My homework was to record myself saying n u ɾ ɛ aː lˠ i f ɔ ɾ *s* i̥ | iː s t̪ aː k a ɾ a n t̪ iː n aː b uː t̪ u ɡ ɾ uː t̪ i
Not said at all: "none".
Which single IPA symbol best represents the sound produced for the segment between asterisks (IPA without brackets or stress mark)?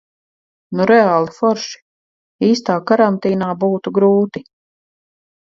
ʃ